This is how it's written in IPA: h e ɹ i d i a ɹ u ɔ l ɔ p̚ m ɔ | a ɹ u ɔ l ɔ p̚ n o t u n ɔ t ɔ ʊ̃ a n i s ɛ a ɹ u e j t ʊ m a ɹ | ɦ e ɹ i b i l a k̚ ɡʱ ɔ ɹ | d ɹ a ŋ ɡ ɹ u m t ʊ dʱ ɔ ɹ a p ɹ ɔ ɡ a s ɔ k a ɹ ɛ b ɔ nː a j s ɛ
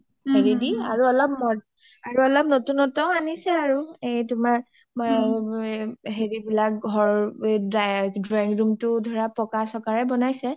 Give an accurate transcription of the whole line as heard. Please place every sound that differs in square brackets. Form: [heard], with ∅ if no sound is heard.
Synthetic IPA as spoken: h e ɹ i d i a ɹ u ɔ l ɔ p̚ m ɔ | a ɹ u ɔ l ɔ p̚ n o t u n ɔ t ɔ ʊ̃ a n i s ɛ a ɹ u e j t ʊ m a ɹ | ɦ e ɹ i b i l a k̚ ɡʱ ɔ ɹ | d ɹ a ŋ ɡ ɹ u m t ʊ dʱ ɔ ɹ a p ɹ ɔ [k] a s ɔ k a ɹ ɛ b ɔ [n] a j s ɛ